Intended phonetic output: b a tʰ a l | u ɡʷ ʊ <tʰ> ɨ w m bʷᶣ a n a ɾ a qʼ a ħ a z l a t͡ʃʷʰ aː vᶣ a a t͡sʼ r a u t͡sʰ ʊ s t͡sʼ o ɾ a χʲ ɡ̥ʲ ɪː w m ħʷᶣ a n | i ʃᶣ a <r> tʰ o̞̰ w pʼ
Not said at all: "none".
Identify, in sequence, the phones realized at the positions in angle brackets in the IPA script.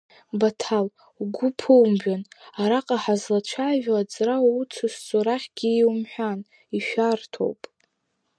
pʰ, r

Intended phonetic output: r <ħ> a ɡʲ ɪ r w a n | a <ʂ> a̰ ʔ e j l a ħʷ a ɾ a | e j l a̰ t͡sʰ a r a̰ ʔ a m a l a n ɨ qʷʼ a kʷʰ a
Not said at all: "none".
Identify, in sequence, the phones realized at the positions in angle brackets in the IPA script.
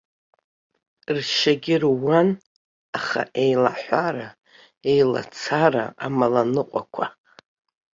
ʃ, χ

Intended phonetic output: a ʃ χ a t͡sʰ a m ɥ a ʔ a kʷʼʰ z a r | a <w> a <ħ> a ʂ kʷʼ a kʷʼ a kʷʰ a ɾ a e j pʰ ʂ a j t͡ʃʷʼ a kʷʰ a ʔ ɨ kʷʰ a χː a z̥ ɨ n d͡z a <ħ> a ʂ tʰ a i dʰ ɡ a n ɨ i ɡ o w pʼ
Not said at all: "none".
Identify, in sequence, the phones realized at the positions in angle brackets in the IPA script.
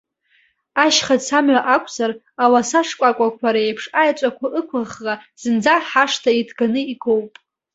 w, s, ħ

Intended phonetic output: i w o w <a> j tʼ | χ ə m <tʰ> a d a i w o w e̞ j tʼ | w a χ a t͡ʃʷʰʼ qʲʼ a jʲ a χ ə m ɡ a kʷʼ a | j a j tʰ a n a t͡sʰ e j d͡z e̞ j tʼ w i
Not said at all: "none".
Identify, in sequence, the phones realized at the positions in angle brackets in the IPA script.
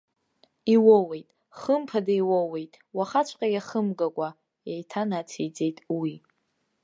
e, pʰ

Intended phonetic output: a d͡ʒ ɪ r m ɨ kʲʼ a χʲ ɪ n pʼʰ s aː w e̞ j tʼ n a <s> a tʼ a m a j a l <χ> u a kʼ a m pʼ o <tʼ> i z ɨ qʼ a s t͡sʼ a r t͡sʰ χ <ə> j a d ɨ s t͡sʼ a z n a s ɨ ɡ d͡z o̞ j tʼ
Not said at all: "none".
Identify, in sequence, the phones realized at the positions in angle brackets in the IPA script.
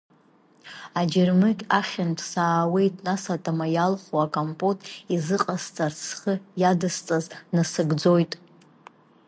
s, χ, tʼ, ə

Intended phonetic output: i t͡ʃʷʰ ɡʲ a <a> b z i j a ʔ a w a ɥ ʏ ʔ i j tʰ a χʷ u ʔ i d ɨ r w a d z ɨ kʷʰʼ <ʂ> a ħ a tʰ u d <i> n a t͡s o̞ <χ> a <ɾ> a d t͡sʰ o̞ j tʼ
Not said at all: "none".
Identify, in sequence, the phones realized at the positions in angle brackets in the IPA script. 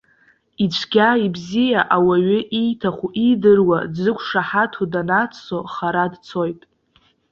i, ʂ, a, χ, ɾ

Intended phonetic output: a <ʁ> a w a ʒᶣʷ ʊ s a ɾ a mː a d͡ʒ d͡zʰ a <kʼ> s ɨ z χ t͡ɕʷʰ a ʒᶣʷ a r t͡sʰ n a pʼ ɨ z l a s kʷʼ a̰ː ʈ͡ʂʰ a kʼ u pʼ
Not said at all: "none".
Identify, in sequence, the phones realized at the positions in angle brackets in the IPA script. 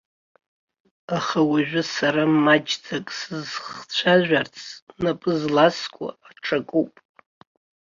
χ, kʼ

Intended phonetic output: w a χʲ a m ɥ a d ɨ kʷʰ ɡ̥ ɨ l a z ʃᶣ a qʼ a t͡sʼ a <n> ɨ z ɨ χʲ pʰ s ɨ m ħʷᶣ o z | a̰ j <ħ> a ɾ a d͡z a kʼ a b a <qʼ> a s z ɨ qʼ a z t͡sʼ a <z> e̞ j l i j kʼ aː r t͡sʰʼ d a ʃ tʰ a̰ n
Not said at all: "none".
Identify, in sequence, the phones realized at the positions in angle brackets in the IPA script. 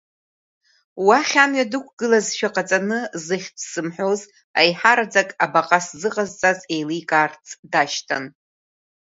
n, ħ, qʼ, z

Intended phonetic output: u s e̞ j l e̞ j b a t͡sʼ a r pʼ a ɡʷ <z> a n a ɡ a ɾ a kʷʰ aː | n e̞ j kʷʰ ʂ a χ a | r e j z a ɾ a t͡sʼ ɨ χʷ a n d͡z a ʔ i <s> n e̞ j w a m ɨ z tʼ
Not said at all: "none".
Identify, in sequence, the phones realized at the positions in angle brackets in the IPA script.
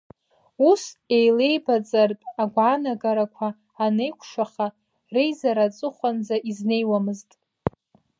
ʕ, z

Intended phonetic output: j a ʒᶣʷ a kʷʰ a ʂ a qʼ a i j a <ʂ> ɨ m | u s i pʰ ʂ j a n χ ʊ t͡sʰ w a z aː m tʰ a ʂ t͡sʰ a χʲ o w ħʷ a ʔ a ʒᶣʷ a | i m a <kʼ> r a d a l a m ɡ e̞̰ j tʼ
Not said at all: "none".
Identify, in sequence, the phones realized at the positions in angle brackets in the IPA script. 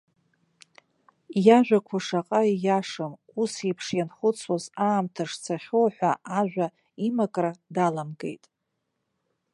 ʂ, kʼ

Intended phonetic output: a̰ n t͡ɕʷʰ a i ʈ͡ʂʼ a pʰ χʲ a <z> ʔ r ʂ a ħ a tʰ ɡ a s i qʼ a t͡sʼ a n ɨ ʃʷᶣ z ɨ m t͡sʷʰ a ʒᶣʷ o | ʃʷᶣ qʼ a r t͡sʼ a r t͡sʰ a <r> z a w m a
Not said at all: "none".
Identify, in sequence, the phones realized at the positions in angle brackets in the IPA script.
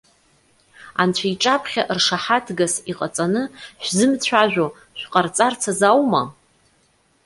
none, none

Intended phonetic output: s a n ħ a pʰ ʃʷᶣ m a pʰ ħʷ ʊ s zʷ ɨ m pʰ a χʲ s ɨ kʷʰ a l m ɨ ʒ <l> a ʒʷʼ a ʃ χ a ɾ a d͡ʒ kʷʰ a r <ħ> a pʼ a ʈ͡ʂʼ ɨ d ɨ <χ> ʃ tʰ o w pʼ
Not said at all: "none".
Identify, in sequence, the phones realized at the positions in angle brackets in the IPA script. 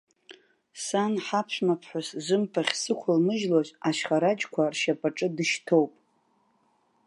l, ʃ, none

